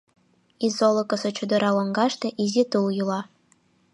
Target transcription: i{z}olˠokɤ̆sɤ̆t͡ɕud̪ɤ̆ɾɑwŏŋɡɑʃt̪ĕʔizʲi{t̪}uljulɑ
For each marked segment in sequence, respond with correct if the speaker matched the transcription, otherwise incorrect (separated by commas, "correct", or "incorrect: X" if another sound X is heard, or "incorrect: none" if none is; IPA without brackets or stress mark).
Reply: correct, correct